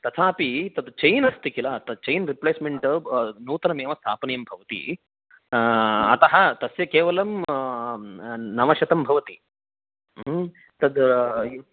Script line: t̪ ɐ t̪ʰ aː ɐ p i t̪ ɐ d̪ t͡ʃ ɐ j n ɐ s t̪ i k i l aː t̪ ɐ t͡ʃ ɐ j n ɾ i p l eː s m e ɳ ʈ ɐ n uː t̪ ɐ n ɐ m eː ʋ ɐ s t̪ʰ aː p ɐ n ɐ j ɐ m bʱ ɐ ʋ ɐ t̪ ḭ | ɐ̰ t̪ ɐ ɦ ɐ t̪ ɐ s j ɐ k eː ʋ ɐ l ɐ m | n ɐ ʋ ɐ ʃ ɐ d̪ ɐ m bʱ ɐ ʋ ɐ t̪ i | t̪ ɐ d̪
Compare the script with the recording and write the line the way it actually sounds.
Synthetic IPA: t̪ ɐ t̪ʰ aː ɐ p i t̪ ɐ d̪ t͡ʃ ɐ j n ɐ s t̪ i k i l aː t̪ ɐ t͡ʃ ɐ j n ɾ i p l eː s m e ɳ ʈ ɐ n uː t̪ ɐ n ɐ m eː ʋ ɐ s t̪ʰ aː p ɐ n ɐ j ɐ m bʱ ɐ ʋ ɐ t̪ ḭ | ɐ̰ t̪ ɐ ɦ ɐ t̪ ɐ s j ɐ k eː ʋ ɐ l ɐ m | n ɐ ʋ ɐ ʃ ɐ t̪ ɐ m bʱ ɐ ʋ ɐ t̪ i | t̪ ɐ d̪